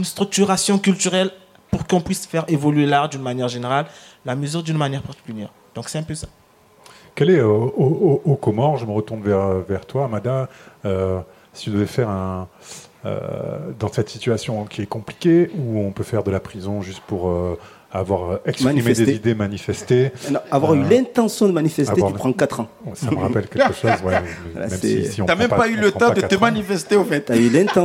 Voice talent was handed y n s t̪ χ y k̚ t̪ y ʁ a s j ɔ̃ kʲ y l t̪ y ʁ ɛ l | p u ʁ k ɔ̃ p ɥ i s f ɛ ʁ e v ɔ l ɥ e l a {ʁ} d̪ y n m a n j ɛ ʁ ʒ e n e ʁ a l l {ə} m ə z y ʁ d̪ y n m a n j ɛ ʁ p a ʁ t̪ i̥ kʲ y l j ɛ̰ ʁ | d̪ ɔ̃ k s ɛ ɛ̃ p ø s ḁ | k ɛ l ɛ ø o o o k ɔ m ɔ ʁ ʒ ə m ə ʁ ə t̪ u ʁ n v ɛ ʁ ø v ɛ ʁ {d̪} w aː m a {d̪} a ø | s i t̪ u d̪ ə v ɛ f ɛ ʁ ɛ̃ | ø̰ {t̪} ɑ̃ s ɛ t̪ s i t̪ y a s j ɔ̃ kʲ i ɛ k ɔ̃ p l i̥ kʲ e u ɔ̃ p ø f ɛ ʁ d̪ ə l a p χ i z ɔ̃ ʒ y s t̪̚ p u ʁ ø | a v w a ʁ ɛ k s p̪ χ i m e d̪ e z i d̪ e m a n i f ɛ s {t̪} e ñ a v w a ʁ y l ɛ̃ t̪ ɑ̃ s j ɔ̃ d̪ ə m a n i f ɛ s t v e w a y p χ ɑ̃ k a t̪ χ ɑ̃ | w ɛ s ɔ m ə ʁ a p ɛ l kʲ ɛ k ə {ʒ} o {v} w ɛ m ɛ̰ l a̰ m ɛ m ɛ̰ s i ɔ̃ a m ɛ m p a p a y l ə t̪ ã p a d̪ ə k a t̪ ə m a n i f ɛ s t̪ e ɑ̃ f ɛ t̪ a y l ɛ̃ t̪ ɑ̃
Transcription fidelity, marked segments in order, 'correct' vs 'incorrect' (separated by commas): correct, incorrect, incorrect, correct, incorrect, correct, incorrect, incorrect